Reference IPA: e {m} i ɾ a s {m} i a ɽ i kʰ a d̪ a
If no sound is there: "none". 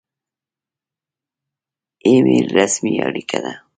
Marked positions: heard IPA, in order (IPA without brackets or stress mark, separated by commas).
m, m